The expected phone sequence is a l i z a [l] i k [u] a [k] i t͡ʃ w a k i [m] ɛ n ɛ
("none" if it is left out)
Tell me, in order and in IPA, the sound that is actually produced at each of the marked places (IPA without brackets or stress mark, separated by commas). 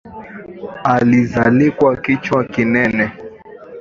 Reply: l, w, k, n